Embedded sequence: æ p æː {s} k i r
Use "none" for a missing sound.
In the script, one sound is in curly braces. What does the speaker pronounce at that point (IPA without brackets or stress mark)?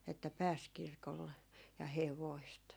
s